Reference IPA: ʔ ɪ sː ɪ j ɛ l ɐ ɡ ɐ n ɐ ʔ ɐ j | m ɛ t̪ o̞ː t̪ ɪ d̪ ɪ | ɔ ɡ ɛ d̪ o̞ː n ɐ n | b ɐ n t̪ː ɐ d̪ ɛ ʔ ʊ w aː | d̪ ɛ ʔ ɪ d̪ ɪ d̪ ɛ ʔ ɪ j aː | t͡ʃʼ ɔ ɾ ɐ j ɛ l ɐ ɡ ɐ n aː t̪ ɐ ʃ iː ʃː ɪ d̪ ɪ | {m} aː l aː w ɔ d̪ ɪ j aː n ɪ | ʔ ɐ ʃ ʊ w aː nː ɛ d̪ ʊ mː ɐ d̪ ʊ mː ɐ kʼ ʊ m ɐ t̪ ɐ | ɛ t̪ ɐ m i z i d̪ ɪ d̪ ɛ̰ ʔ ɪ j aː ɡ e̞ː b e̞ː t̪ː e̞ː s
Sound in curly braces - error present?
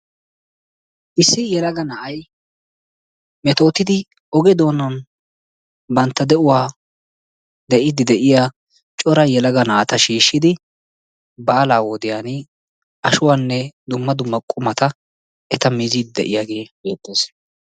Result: yes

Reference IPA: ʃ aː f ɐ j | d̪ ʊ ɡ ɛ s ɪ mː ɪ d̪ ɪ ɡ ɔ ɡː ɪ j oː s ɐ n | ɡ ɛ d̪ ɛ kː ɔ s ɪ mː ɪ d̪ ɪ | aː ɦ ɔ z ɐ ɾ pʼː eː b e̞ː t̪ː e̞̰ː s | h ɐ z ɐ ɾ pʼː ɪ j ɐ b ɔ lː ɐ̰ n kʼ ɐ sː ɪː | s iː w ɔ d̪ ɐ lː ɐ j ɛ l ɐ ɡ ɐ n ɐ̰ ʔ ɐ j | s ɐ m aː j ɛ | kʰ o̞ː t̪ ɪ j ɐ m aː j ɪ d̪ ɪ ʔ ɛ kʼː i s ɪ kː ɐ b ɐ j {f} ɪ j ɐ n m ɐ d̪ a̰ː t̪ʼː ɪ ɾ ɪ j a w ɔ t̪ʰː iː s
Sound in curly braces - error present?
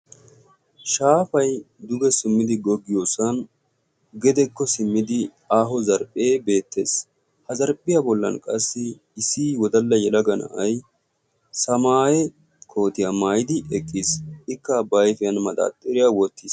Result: no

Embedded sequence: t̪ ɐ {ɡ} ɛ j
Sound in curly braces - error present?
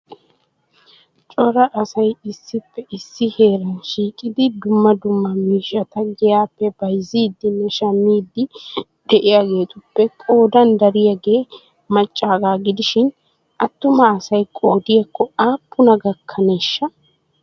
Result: no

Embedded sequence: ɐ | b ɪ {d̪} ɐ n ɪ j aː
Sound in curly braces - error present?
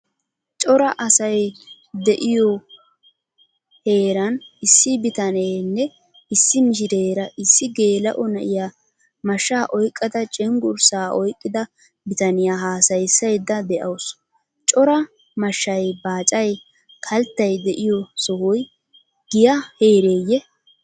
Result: yes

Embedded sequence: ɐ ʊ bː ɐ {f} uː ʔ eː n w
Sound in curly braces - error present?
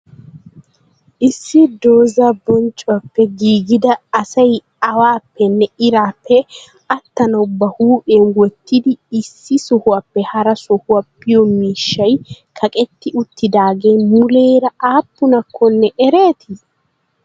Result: yes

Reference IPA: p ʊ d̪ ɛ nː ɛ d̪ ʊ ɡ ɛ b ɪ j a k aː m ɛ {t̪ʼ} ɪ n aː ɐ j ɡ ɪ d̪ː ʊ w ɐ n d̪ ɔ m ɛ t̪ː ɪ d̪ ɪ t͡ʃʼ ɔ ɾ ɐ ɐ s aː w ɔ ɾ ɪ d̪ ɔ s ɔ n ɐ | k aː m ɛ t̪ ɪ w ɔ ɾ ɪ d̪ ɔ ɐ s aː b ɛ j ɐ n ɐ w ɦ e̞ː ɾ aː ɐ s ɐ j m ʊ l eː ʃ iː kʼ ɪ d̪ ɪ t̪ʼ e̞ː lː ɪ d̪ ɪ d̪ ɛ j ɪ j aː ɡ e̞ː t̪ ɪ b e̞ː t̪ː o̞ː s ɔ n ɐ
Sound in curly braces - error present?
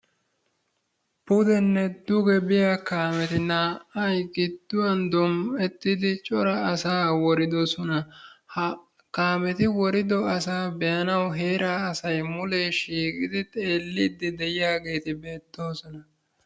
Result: yes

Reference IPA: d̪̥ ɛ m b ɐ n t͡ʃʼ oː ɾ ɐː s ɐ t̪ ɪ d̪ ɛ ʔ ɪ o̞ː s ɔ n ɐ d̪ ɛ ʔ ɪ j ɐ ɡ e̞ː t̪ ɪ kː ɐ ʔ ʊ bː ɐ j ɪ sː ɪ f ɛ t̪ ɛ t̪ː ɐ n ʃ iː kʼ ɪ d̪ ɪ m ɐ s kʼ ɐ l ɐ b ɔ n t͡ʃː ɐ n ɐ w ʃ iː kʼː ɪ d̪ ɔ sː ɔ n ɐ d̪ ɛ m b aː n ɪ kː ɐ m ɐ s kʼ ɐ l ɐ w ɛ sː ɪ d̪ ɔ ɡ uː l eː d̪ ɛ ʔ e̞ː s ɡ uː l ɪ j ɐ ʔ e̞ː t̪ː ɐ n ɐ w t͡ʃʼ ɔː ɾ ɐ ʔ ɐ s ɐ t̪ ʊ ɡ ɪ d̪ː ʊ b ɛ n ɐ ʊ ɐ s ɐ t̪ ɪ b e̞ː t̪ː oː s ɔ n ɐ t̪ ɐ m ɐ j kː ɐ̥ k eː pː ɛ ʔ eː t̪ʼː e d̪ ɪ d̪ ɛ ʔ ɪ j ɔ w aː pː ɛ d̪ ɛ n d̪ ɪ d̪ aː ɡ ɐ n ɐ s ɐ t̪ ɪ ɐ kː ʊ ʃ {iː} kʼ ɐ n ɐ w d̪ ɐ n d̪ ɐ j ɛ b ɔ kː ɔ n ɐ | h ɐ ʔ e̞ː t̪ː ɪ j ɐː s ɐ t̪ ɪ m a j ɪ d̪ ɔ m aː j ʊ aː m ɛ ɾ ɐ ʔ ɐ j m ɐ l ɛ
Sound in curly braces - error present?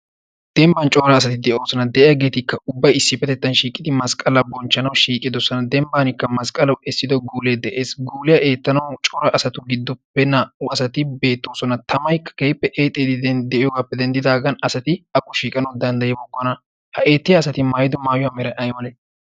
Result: no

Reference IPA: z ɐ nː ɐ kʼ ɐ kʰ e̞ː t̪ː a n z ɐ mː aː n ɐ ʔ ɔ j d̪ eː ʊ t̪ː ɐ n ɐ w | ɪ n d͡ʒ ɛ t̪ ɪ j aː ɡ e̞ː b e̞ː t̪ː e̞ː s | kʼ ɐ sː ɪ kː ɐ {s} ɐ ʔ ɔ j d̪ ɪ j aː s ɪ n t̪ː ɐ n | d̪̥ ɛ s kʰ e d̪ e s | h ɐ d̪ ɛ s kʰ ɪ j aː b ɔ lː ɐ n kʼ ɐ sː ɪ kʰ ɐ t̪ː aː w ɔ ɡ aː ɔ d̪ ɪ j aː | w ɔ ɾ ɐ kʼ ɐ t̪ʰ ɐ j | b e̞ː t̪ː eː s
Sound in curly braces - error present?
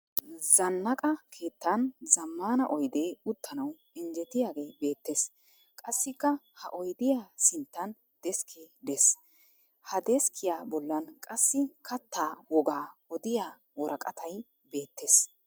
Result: yes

